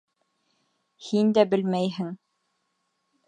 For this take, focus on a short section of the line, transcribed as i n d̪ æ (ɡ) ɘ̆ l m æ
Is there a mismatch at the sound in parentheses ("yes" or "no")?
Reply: yes